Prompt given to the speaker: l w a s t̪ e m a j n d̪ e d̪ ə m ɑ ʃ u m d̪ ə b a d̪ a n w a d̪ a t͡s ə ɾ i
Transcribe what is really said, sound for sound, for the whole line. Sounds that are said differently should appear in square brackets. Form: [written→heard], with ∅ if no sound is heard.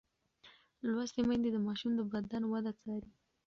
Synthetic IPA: l w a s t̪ e m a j n d̪ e d̪ ə m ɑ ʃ u m d̪ ə b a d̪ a n w a d̪ a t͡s [ə→ɑ] ɾ i